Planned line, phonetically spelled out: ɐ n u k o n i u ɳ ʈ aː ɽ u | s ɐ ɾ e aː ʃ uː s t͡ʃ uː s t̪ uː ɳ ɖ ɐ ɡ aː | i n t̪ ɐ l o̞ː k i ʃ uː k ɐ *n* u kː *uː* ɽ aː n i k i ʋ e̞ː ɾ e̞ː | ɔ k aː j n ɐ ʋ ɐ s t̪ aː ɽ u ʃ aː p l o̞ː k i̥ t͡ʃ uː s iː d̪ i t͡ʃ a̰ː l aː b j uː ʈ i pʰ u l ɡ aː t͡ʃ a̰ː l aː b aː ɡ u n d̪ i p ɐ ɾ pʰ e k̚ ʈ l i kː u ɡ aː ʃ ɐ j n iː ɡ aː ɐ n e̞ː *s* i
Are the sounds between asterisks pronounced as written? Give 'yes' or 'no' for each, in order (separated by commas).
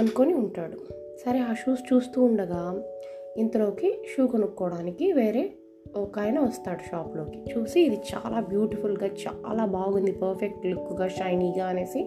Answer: yes, no, yes